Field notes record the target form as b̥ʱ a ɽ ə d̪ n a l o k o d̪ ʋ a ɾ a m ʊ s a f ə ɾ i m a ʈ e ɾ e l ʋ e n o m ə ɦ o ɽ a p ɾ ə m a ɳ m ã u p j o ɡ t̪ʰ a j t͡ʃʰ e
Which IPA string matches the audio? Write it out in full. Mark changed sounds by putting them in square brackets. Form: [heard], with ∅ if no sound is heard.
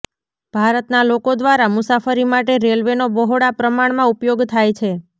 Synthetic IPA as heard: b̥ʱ a [ɾ] ə [t̪] n a l o k o d̪ ʋ a ɾ a m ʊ s a f ə ɾ i m a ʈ e ɾ e l ʋ e n o [b] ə ɦ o ɽ a p ɾ ə m a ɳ m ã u p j o ɡ t̪ʰ a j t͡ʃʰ e